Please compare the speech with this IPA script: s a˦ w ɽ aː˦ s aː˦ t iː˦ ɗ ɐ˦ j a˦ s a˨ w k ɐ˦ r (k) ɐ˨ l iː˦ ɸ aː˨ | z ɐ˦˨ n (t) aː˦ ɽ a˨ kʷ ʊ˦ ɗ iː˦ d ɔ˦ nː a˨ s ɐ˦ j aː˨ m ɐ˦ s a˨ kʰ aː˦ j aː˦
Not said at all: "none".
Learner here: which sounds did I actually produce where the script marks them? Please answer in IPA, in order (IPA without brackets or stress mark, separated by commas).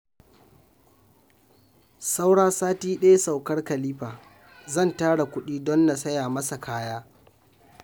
k, t